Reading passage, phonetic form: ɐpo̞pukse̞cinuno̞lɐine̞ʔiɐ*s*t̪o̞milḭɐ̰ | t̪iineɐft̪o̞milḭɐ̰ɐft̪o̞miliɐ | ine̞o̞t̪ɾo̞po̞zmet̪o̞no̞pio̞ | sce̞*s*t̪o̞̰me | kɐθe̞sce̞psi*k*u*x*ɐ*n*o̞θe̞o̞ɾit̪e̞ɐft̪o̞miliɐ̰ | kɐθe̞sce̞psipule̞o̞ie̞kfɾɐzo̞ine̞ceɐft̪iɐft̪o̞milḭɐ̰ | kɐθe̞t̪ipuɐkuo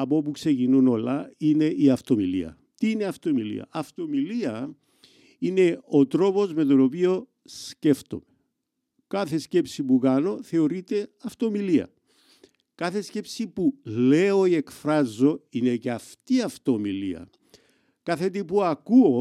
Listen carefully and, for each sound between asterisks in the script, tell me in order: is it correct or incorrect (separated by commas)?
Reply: incorrect, incorrect, incorrect, incorrect, correct